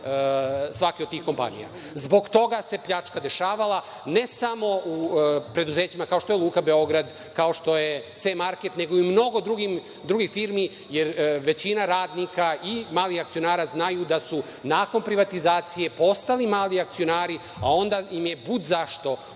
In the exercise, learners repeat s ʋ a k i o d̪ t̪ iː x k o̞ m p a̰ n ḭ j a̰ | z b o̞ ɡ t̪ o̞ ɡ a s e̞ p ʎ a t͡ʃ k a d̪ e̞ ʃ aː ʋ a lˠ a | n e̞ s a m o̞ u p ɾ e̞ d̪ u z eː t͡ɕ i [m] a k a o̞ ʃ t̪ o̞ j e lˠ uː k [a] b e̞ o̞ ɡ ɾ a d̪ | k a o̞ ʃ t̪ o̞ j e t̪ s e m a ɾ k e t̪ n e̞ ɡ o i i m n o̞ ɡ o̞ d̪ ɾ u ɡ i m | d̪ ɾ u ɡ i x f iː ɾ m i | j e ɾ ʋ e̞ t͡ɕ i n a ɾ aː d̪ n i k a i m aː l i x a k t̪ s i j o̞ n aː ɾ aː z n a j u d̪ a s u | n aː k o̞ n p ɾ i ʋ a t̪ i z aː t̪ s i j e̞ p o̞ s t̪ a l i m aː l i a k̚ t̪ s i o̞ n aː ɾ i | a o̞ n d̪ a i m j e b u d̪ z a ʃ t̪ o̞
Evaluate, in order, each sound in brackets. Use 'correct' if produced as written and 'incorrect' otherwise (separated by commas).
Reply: correct, correct